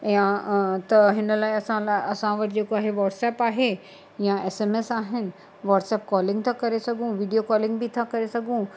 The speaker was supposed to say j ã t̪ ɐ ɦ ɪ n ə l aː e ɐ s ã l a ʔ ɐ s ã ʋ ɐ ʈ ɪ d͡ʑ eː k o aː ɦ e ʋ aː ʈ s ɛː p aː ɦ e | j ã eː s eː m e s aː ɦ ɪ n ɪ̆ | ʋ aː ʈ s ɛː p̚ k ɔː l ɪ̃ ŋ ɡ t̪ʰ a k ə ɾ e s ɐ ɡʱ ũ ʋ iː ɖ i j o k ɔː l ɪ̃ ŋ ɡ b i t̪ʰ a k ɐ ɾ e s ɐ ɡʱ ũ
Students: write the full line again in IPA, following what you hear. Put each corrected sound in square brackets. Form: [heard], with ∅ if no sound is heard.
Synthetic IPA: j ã t̪ ɐ ɦ ɪ n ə l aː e ɐ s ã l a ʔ ɐ s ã ʋ ɐ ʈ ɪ d͡ʑ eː k o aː ɦ e ʋ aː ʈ s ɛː p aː ɦ e | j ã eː s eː m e s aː ɦ ɪ n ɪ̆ | ʋ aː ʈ s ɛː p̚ k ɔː l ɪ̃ ŋ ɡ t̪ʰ a k [ɐ] ɾ e s ɐ ɡʱ ũ ʋ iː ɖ i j o k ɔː l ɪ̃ ŋ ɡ b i t̪ʰ a k ɐ ɾ e s ɐ ɡʱ ũ